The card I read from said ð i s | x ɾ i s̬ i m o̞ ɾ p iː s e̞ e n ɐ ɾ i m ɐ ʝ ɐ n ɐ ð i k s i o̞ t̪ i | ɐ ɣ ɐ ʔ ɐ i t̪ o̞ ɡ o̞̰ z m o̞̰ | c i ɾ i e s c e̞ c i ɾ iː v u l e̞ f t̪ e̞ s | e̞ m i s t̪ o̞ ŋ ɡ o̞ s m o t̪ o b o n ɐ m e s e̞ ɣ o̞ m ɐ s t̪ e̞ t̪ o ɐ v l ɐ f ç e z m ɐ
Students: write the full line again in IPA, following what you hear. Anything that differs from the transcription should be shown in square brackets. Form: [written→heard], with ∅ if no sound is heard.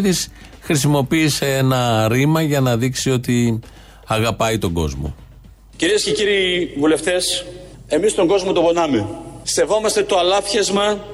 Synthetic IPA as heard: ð i s | x ɾ i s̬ i m o̞ [ɾ→∅] p iː s e̞ e n ɐ ɾ i m ɐ ʝ ɐ n ɐ ð i k s i o̞ t̪ i | ɐ ɣ ɐ [ʔ→p] ɐ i t̪ o̞ ɡ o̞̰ z m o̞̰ | c i ɾ i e s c e̞ c i ɾ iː v u l e̞ f t̪ e̞ s | e̞ m i s t̪ o̞ ŋ ɡ o̞ [s→z] m o t̪ o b o n ɐ m e s e̞ [ɣ→v] o̞ m ɐ s t̪ e̞ t̪ o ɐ [v→∅] l ɐ f ç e z m ɐ